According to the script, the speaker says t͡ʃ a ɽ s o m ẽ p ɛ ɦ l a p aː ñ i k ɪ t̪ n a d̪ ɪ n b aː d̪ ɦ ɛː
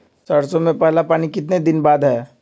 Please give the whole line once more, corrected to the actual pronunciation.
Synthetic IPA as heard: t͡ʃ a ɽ s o m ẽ p ɛ ɦ l a p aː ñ i k ɪ t̪ n e d̪ ɪ n b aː d̪ ɦ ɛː

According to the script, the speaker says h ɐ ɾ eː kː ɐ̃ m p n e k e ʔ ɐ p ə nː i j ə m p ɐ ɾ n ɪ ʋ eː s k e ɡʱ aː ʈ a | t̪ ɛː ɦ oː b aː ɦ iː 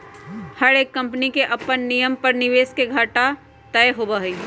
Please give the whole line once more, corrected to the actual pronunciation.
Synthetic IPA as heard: h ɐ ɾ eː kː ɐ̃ m p n i k e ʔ ɐ p ə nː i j ə m p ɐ ɾ n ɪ ʋ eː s k e ɡʱ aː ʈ a | t̪ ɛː ɦ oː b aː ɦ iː

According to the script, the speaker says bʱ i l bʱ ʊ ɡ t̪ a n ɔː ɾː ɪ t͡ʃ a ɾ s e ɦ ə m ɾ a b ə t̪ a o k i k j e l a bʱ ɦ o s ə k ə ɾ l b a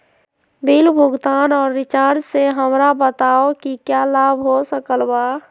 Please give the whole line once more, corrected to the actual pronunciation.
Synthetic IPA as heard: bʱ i l bʱ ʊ ɡ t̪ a n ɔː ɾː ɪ t͡ʃ a ɾ s e ɦ ə m ɾ a b ə t̪ a o k i k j a l a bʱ ɦ o s ə k ə l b a

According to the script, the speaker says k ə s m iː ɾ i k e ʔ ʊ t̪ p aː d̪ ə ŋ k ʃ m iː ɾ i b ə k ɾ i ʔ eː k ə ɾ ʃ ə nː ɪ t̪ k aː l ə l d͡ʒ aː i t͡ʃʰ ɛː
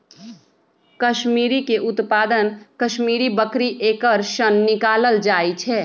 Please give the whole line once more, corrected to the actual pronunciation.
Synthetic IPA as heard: k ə ʃ m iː ɾ i k e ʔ ʊ t̪ p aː d̪ ə n k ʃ m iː ɾ i b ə k ɾ i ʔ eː k ə ɾ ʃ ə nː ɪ k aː l ə l d͡ʒ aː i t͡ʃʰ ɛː

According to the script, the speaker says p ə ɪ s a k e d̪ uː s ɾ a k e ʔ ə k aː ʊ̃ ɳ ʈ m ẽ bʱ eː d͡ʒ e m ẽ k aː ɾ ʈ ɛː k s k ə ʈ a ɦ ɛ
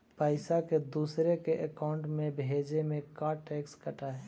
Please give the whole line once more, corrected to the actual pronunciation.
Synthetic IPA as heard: p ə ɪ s a k e d̪ uː s ɾ e k e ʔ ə k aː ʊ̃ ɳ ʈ m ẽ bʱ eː d͡ʒ e m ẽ k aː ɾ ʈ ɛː k s k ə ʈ a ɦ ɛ

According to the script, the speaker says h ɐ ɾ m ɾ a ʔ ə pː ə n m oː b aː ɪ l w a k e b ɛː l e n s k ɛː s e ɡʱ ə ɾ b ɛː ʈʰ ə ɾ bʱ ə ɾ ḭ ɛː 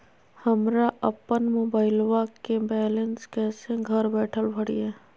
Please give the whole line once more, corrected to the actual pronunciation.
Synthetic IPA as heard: h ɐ m ɾ a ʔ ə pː ə n m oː b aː ɪ l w a k e b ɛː l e n s k ɛː s e ɡʱ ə ɾ b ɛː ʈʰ ə l bʱ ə ɽ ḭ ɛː

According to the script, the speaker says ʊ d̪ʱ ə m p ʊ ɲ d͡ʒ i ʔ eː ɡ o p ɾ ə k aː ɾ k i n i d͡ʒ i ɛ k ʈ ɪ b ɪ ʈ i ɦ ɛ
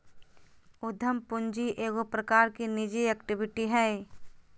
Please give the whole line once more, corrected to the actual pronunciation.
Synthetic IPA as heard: ʊ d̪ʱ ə m p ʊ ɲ d͡ʒ i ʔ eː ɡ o p ɾ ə k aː ɾ k i n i d͡ʒ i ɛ k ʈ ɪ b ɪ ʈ i ɦ ɛ

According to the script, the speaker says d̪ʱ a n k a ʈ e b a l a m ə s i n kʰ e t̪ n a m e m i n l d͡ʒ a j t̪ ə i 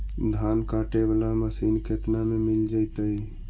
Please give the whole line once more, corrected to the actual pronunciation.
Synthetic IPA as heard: d̪ʱ a n k a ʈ e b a l a m ə s i n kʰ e t̪ n a m e m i l d͡ʒ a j t̪ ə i

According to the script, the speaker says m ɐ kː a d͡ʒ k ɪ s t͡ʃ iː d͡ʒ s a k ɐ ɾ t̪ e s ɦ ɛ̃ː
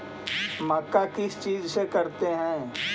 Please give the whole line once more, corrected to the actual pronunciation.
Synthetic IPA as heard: m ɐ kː a k ɪ s t͡ʃ iː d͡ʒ s e k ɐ ɾ t̪ e ɦ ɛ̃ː

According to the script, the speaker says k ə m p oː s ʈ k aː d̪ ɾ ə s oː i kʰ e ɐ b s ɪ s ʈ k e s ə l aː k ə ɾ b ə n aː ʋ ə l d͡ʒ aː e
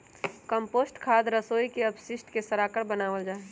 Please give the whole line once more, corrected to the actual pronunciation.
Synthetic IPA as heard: k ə m p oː s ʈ kʰ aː d̪ ɾ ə s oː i k e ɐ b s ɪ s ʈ k e s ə ɾ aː k ə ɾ b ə n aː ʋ ə l d͡ʒ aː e

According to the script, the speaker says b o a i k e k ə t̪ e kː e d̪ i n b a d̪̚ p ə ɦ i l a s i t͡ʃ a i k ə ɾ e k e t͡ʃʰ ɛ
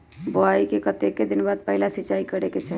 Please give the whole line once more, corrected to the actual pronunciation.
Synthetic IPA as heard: b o a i k e k ə t̪ e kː e d̪ i n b a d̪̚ p ə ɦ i l a s i t͡ʃ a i k ə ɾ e k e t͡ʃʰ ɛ

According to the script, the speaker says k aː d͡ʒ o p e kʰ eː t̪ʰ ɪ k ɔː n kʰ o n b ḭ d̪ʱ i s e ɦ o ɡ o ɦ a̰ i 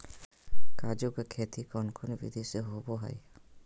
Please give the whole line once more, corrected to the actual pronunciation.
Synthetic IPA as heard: k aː d͡ʒ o k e kʰ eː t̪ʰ i k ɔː n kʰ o n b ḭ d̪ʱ i s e ɦ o b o ɦ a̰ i

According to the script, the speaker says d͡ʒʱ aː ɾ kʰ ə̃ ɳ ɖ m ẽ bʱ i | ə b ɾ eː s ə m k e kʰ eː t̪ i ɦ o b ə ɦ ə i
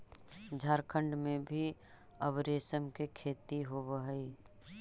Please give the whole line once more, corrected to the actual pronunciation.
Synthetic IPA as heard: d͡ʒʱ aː ɾ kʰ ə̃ ɳ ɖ m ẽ bʱ i | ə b ɾ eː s ə m k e kʰ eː t̪ i ɦ o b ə ɦ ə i

